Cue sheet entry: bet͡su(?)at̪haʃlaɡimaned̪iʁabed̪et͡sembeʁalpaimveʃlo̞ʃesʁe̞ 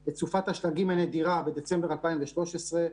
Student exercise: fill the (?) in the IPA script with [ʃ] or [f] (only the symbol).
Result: f